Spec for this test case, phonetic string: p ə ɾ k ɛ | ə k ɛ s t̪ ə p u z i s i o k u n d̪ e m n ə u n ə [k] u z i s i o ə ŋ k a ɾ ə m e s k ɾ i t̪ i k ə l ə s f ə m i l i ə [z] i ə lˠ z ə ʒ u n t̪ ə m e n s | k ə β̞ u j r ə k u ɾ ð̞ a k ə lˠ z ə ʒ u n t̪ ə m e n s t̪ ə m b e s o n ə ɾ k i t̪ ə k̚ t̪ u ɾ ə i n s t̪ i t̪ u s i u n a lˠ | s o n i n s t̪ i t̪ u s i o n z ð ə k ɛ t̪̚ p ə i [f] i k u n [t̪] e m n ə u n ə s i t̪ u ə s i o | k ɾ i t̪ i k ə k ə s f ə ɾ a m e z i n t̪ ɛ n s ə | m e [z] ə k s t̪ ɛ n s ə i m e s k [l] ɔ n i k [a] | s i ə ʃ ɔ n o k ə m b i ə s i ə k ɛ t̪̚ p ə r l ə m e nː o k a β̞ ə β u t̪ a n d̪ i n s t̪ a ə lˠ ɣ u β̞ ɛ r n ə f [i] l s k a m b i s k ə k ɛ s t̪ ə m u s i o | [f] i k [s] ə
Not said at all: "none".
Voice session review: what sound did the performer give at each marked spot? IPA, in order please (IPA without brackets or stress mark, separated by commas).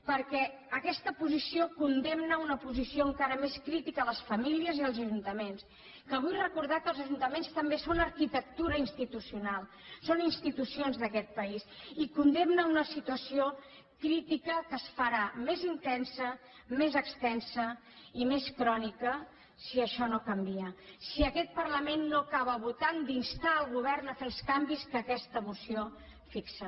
p, z, s, d̪, z, ɾ, ə, e, f, s